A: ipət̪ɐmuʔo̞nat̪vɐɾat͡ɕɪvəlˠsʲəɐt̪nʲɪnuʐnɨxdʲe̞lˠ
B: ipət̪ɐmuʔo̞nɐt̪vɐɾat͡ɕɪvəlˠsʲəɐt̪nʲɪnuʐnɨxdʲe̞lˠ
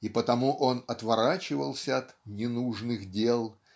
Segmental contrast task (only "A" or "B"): B